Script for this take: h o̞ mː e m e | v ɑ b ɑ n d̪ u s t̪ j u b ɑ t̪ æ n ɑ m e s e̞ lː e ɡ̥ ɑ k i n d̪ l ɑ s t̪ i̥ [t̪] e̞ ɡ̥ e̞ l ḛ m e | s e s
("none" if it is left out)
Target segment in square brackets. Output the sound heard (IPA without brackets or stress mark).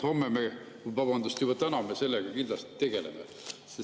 t̪